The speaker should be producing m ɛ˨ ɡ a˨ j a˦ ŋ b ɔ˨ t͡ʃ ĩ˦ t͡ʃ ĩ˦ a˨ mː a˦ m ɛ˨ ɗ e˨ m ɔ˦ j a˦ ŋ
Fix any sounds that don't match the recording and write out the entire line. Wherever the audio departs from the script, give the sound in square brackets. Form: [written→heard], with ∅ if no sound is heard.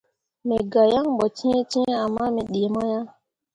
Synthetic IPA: m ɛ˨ ɡ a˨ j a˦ ŋ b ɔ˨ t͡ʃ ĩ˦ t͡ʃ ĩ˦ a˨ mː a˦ m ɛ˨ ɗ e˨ m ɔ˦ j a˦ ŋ